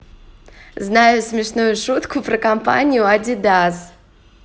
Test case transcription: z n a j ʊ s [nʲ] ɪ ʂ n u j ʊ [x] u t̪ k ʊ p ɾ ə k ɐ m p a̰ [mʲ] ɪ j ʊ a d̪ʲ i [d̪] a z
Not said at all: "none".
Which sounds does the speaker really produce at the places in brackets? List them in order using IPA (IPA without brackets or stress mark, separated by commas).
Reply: mʲ, ʂ, nʲ, d̪